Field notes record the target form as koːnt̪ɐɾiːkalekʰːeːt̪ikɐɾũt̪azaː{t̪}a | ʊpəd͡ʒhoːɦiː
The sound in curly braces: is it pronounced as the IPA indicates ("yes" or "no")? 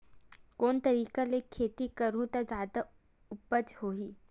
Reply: no